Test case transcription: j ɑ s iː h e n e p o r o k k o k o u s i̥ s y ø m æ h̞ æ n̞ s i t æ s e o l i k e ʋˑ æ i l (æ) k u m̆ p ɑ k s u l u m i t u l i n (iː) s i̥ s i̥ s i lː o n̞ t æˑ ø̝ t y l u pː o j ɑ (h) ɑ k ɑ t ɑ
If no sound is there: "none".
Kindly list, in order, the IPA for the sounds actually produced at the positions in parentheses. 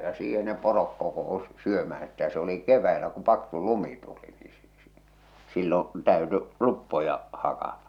æ, iː, h

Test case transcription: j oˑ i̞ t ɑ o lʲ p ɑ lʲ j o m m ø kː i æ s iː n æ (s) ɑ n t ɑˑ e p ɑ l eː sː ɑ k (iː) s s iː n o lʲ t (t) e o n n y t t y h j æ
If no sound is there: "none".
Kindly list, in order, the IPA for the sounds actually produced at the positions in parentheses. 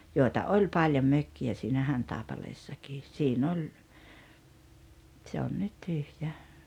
h, iː, s

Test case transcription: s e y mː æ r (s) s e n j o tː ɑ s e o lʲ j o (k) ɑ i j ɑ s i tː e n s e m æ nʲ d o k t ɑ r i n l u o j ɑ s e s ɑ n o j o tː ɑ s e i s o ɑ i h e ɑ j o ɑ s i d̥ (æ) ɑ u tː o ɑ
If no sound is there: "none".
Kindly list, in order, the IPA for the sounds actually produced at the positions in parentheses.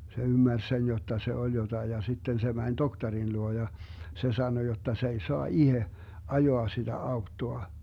s, t, æ

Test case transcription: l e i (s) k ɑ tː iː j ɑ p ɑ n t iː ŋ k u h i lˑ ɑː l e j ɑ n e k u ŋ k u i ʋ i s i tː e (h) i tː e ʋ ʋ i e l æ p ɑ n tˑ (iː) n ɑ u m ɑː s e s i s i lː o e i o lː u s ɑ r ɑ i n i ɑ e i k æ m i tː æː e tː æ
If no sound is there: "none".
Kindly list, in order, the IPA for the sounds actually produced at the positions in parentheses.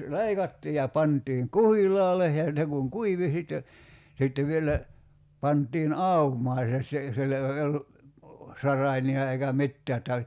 none, s, iː

